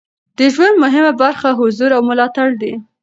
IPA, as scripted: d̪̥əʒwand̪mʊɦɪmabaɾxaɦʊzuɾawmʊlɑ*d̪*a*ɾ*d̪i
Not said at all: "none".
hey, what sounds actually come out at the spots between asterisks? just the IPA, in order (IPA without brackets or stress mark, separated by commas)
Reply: t̪, ɽ